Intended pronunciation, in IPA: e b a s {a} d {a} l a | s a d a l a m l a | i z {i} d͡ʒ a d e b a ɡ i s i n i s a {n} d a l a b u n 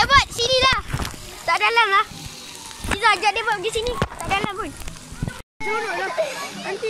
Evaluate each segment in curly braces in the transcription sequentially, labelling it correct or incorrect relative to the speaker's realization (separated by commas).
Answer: incorrect, incorrect, incorrect, incorrect